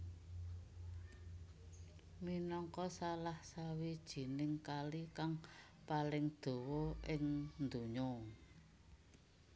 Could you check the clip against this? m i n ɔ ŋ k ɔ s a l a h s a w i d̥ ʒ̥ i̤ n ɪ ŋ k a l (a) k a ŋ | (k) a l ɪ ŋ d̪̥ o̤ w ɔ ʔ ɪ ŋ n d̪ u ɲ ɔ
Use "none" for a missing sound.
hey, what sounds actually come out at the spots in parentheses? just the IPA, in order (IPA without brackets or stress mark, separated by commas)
i, p